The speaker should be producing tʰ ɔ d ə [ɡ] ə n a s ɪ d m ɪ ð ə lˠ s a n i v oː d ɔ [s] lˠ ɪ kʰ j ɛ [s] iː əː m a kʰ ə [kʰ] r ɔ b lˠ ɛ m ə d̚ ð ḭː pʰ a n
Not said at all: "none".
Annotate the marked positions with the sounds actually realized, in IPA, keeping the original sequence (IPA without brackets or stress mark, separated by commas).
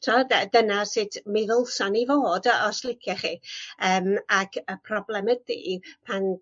d, s, χ, pʰ